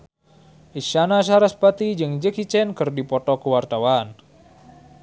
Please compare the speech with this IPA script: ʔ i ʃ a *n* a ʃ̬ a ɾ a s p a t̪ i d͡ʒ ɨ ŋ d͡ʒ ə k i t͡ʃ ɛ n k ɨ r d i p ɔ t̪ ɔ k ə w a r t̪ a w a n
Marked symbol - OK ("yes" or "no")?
yes